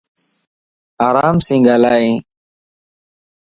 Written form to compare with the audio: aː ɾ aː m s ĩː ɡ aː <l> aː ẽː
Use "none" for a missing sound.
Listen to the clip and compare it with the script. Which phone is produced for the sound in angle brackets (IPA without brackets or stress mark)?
l